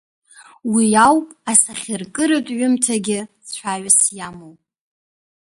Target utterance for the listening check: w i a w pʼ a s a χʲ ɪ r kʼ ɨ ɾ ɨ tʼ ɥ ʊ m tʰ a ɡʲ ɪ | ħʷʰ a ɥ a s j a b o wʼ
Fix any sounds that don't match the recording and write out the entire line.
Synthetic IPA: w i a w pʼ a s a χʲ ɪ r kʼ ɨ ɾ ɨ tʼ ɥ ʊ m tʰ a ɡʲ ɪ | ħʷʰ a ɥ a s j a m o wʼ